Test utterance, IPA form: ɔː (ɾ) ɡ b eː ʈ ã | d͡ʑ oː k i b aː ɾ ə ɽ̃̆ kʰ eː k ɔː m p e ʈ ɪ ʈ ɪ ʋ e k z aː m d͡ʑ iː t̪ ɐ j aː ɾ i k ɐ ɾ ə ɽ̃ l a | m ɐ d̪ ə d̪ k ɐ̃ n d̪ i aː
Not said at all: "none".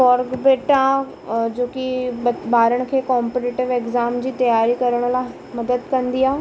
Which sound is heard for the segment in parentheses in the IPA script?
ɾ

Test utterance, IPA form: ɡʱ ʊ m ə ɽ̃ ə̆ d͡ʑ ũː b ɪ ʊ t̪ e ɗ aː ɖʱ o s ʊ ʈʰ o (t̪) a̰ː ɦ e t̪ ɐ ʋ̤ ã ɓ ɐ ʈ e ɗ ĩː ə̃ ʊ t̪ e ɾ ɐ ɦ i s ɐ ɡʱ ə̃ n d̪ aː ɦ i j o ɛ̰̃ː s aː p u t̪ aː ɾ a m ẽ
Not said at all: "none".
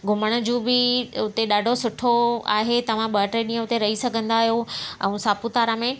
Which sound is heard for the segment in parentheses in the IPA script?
none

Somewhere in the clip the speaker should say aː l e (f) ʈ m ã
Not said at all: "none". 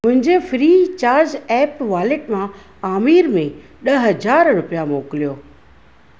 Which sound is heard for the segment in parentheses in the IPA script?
none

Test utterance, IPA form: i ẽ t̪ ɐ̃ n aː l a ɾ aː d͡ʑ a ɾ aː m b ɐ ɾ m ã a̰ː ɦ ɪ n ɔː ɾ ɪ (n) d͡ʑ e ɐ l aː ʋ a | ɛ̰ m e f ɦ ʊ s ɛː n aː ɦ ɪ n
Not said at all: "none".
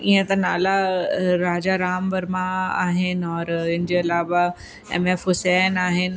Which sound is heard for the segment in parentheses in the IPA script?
n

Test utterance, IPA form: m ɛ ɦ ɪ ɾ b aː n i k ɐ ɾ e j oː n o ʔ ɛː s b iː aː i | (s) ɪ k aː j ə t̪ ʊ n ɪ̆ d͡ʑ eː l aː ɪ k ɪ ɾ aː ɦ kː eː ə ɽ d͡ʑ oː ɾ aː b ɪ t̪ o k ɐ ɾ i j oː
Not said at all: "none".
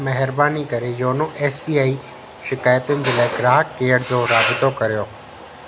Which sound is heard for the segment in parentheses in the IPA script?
ʃ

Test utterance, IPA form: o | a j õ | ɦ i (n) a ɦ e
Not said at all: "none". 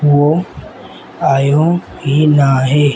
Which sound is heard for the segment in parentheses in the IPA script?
n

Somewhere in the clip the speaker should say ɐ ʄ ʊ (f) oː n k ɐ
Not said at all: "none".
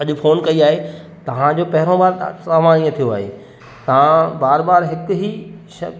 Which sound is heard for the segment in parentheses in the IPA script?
f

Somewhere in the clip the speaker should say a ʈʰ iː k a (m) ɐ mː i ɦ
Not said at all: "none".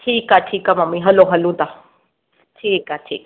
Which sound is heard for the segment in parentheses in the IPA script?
m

